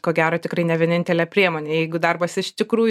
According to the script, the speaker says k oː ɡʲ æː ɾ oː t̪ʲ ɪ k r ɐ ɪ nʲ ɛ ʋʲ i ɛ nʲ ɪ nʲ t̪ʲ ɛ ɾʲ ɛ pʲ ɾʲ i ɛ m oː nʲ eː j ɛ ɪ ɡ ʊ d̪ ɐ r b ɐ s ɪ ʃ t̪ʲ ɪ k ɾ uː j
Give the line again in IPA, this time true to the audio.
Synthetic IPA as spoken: k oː ɡʲ æː ɾ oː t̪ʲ ɪ k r ɐ ɪ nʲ ɛ ʋʲ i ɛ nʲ ɪ nʲ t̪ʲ ɛ lʲ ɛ pʲ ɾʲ i ɛ m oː nʲ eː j ɛ ɪ ɡ ʊ d̪ ɐ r b ɐ s ɪ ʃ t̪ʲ ɪ k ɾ uː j